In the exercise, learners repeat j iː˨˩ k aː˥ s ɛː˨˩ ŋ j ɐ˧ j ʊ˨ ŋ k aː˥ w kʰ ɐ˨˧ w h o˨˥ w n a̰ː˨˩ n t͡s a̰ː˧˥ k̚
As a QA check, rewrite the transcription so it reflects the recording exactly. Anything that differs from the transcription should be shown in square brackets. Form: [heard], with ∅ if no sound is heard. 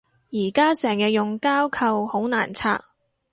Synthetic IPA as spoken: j iː˨˩ k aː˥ s ɛː˨˩ ŋ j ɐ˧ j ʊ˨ ŋ k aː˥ w kʰ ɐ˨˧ w h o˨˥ w n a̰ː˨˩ n [t͡sʰ] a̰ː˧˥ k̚